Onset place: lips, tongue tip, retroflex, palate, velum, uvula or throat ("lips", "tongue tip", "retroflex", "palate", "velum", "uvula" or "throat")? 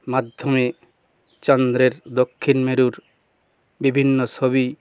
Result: lips